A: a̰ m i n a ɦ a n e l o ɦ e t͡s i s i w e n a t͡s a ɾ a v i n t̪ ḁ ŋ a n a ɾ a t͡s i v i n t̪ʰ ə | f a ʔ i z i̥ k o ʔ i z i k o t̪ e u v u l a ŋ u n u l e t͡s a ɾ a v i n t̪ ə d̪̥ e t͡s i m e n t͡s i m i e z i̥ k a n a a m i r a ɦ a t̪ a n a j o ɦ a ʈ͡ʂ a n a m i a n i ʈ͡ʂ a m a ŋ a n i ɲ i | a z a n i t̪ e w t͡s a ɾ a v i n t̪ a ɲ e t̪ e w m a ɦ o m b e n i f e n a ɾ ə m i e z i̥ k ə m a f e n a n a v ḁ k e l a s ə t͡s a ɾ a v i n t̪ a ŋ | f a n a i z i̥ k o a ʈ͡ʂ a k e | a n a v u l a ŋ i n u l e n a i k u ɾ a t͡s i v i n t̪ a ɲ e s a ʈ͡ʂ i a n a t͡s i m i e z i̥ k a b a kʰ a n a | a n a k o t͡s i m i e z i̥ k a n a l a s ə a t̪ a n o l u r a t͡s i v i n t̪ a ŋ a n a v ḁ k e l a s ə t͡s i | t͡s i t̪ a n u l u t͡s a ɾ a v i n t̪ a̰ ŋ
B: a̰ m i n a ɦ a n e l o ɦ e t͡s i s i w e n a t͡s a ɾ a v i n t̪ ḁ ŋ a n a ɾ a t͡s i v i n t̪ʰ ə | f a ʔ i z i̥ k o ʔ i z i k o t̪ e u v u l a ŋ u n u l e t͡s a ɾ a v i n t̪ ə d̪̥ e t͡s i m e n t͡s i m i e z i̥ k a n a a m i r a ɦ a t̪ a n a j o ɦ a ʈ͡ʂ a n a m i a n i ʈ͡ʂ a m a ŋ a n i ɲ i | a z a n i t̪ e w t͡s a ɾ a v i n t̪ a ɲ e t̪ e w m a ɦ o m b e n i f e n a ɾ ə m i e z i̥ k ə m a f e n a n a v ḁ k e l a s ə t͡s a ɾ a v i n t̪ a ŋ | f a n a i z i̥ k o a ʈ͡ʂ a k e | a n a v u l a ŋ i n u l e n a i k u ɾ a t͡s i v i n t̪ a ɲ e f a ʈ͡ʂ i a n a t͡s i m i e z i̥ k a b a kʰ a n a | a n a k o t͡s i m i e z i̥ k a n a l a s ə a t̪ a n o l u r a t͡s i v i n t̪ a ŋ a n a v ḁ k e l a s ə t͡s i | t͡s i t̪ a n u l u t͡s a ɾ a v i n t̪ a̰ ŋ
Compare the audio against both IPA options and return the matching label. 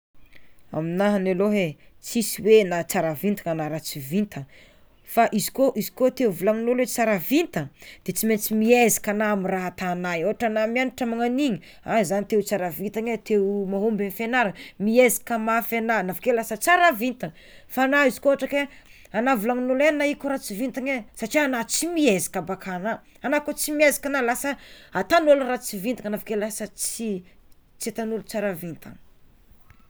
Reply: A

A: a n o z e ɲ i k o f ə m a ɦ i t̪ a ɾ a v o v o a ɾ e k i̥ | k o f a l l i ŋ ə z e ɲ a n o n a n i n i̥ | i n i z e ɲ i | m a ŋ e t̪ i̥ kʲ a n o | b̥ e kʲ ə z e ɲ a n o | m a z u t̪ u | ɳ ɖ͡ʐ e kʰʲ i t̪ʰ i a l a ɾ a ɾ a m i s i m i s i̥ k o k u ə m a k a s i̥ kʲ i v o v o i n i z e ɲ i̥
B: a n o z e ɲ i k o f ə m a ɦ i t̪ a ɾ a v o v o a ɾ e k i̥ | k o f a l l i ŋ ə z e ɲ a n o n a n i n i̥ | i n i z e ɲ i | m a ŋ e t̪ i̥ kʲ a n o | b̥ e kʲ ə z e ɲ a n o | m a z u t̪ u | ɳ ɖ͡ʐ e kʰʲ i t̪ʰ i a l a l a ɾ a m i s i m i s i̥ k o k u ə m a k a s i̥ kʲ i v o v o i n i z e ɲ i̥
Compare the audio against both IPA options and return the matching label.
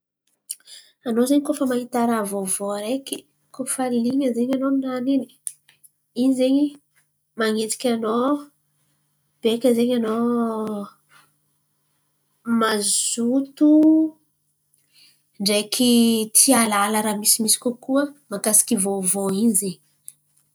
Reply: B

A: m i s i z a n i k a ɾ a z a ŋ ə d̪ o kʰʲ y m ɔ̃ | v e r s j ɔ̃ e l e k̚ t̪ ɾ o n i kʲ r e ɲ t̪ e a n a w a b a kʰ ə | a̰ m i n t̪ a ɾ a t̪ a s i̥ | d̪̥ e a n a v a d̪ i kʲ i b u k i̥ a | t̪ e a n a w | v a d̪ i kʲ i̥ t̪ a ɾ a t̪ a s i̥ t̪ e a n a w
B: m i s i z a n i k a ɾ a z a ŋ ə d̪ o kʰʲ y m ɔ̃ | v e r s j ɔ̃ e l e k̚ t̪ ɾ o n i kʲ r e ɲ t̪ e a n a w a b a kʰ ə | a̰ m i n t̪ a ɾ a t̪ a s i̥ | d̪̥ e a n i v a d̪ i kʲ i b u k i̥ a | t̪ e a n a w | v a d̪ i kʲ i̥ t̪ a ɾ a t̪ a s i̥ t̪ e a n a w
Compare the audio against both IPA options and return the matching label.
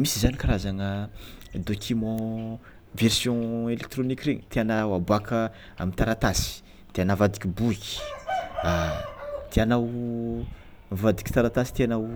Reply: A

